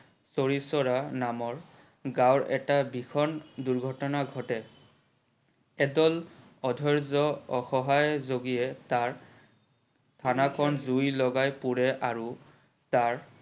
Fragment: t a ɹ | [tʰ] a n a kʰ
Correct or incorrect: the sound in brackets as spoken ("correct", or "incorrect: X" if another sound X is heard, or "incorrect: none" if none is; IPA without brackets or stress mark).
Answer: correct